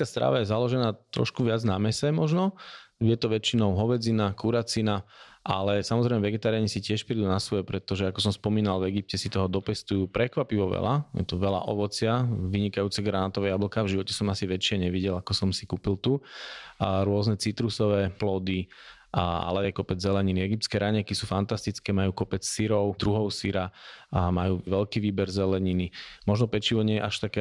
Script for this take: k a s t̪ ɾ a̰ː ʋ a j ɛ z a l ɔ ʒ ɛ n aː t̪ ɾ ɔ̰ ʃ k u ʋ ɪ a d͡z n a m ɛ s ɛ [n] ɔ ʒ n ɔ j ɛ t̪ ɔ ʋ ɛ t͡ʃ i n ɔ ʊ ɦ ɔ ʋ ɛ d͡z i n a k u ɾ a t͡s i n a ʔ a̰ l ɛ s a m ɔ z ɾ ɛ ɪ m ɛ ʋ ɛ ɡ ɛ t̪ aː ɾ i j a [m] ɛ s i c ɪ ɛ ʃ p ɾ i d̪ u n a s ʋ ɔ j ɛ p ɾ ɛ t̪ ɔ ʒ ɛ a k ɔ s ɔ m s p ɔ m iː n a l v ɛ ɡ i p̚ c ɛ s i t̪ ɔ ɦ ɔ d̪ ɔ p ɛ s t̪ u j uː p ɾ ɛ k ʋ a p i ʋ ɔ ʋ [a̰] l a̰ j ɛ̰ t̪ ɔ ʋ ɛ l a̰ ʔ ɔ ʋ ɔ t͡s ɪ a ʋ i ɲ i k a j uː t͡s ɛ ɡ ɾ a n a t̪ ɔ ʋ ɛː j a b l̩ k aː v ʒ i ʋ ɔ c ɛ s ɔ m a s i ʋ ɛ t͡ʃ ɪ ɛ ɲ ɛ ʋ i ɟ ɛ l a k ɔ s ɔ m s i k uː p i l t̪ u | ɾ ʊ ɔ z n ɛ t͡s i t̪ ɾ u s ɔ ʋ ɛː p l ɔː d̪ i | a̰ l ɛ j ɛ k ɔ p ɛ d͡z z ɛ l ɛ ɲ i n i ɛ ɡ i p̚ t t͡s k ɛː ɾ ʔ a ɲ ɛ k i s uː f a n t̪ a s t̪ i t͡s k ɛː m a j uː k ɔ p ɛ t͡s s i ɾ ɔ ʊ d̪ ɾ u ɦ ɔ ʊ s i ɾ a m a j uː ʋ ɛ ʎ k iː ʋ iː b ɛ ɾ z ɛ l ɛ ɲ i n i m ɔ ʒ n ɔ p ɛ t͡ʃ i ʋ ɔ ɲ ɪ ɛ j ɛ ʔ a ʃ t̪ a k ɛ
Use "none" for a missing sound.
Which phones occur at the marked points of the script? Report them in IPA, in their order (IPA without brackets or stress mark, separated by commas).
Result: m, ɲ, ɛ̰